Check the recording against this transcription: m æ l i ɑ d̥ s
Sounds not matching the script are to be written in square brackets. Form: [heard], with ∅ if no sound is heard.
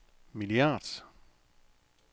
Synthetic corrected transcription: m [i] l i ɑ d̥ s